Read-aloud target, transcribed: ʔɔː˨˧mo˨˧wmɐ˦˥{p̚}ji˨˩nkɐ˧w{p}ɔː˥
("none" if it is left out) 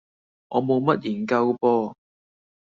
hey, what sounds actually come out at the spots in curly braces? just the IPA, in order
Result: t̚, p

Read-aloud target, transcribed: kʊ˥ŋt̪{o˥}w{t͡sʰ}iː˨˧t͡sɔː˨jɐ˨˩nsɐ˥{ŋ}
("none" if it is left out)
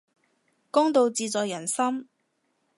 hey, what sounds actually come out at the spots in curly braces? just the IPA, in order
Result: o˧, t͡s, m

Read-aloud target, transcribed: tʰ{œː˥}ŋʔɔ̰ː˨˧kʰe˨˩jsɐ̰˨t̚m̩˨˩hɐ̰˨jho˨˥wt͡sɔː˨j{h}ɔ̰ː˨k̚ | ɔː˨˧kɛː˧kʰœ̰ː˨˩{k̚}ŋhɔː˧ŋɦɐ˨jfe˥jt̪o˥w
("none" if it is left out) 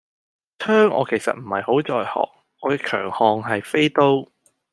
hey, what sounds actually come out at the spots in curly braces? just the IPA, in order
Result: œː˥, h, none

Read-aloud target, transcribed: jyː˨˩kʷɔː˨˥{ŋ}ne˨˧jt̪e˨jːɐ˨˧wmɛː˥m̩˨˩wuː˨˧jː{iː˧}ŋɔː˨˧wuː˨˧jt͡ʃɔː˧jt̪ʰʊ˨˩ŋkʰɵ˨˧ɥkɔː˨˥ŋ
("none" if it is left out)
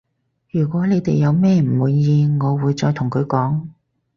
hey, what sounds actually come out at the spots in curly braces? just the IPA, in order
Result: none, iː˧

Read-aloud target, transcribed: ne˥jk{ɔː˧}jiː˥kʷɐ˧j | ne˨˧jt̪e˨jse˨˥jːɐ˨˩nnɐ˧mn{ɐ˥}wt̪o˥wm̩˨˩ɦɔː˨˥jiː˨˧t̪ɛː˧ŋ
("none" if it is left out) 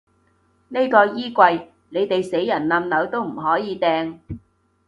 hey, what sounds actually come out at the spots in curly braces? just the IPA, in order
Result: ɔː˧, ɐ˨˧

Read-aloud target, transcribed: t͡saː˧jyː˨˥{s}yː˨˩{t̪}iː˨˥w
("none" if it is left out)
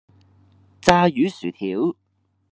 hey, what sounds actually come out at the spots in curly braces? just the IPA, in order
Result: s, t̪ʰ

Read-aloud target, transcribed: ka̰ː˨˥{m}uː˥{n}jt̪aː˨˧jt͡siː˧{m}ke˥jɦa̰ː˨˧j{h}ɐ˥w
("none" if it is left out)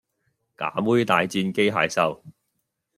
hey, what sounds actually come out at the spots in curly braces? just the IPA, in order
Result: m, none, n, s

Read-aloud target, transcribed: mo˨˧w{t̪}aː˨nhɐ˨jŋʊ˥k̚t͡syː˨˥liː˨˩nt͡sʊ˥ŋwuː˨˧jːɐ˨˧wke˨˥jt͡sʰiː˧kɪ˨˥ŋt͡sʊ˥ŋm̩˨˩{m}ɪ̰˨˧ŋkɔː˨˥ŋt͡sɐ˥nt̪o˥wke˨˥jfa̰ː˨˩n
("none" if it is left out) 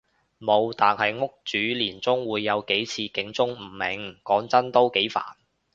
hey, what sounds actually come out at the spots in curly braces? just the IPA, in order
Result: t̪, m

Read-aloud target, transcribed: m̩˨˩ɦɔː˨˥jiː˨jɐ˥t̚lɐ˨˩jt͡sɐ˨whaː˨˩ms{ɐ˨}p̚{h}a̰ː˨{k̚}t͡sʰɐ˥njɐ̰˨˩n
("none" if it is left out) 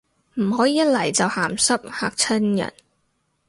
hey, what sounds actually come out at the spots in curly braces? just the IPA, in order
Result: ɐ˥, h, k̚

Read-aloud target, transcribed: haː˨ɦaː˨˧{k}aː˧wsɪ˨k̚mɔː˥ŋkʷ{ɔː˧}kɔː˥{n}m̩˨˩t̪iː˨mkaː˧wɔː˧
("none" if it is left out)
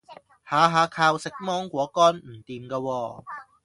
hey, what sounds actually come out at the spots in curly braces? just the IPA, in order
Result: kʰ, ɔː˨˥, n

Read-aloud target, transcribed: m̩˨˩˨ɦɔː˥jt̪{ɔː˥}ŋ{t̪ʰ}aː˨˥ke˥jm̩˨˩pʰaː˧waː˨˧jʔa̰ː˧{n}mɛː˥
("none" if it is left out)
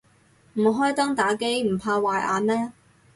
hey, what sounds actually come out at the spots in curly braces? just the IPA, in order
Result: ɔː˥, t̪, n

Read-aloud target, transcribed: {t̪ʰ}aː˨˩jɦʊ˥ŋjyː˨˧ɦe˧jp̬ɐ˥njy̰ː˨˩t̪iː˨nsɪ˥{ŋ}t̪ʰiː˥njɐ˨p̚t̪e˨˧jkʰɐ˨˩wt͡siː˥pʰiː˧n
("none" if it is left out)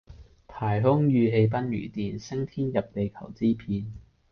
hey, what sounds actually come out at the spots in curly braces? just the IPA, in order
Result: t̪ʰ, ŋ

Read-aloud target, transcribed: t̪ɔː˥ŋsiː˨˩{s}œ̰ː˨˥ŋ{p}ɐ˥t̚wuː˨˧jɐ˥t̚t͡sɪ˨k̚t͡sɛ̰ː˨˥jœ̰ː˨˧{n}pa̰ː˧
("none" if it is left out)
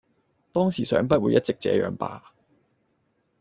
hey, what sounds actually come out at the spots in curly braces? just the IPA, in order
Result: s, p, ŋ

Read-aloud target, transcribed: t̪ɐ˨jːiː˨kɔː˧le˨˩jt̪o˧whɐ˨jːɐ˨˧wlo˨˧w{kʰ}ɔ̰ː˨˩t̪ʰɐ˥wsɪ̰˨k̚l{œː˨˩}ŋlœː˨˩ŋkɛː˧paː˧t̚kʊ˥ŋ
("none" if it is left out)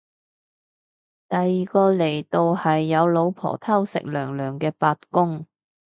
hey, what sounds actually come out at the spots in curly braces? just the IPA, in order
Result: pʰ, œː˨˩

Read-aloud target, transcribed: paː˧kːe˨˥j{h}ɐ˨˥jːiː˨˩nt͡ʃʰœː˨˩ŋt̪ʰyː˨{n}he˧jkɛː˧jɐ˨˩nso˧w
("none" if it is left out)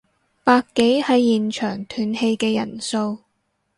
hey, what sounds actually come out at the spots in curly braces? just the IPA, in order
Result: h, n

